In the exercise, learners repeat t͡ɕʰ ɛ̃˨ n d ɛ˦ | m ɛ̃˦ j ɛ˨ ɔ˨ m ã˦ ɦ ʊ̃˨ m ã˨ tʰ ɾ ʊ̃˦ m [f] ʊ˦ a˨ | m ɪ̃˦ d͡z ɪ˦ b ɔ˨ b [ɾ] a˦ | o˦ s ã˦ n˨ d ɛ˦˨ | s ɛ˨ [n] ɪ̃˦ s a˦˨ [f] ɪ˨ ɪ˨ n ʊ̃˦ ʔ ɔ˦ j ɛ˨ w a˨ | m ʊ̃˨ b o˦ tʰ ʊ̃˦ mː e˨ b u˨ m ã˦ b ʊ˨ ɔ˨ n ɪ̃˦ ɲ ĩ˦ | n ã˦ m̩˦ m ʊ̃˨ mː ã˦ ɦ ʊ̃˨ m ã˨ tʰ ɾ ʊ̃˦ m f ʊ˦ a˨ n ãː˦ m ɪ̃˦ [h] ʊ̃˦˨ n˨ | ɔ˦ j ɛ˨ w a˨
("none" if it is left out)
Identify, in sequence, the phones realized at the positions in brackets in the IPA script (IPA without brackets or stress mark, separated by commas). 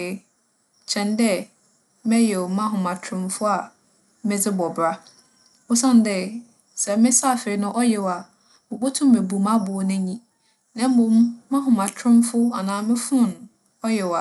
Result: f, ɾ, m, f, f